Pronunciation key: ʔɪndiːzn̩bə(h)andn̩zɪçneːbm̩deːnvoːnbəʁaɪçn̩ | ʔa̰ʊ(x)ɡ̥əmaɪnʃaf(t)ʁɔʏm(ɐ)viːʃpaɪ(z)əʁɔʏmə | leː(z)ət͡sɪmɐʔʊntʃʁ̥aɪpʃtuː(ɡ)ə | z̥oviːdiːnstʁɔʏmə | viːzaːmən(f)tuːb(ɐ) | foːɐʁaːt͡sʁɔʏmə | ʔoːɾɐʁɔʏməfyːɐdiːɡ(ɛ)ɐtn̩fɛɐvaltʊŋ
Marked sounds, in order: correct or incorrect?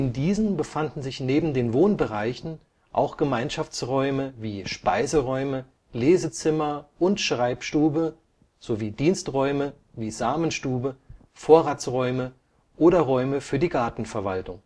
incorrect: f, correct, incorrect: t͡s, incorrect: ə, correct, correct, incorrect: b, incorrect: ʃ, incorrect: ə, incorrect: a

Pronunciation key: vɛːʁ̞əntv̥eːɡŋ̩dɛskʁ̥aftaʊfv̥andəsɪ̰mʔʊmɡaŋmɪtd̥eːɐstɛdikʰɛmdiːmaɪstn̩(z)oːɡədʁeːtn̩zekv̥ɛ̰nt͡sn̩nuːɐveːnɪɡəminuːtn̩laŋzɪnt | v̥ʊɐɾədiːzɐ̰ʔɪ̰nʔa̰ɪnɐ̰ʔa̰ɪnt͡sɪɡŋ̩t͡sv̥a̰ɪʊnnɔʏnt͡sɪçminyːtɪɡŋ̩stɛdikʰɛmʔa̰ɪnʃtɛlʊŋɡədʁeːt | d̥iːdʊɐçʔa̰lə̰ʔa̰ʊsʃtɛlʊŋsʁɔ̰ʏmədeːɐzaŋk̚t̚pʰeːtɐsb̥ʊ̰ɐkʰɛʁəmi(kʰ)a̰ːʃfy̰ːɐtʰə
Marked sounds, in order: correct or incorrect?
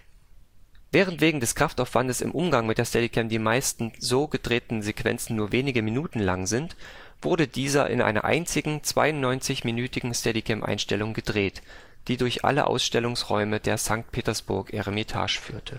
correct, incorrect: tʰ

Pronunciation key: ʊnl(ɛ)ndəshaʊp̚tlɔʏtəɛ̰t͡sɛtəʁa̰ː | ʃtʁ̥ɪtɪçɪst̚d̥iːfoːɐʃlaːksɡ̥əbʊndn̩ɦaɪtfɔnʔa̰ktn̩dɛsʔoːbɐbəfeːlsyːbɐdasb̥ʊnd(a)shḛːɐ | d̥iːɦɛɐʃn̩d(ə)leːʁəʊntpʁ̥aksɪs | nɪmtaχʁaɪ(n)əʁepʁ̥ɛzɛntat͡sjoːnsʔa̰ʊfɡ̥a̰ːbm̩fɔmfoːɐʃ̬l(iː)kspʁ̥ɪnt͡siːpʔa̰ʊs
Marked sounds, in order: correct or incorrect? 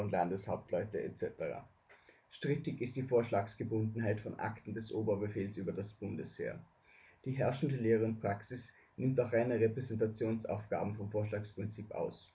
incorrect: a, incorrect: ə, correct, correct, incorrect: aː

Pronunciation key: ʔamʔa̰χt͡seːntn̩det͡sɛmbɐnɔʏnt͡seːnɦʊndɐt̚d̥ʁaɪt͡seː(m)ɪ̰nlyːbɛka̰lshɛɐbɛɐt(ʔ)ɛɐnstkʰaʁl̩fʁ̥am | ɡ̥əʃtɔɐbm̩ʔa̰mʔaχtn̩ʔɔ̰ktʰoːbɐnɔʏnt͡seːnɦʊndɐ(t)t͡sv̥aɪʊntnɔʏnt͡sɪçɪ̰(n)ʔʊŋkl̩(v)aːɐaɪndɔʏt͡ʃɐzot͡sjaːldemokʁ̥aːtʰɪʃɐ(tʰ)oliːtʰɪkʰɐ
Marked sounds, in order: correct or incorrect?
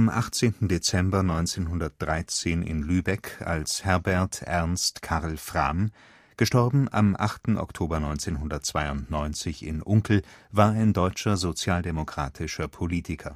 incorrect: n, correct, correct, correct, correct, incorrect: pʰ

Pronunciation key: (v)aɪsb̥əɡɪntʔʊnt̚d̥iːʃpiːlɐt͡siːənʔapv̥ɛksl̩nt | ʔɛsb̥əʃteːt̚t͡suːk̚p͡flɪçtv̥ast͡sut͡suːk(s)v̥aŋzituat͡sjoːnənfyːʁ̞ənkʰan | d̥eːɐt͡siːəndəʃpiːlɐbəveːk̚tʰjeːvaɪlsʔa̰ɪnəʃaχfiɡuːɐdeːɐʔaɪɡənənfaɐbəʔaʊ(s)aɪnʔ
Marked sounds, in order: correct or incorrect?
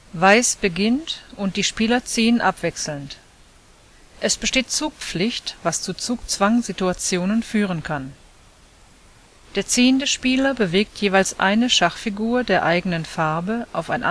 correct, incorrect: t͡s, incorrect: f

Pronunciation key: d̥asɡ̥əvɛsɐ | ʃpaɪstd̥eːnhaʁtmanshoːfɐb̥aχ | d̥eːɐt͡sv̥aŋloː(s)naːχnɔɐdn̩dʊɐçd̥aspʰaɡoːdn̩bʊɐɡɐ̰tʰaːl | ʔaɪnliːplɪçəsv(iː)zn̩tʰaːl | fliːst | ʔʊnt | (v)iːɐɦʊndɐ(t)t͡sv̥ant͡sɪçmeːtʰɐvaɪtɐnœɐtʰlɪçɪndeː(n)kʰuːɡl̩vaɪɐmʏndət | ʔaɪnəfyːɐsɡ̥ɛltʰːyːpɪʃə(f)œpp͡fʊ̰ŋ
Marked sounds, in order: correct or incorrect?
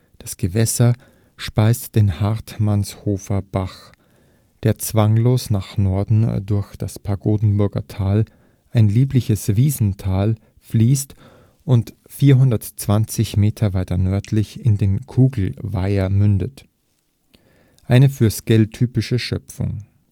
correct, correct, incorrect: f, correct, correct, incorrect: ʃ

